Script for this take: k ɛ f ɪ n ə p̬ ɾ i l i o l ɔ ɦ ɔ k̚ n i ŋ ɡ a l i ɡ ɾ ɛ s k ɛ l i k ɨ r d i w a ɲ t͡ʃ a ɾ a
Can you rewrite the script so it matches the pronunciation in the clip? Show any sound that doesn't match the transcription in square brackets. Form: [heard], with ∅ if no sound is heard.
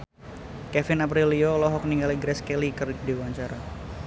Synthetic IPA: k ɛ f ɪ n [a] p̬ ɾ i l i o l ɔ ɦ ɔ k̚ n i ŋ ɡ a l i ɡ ɾ ɛ s k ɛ l i k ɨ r d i w a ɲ t͡ʃ a ɾ a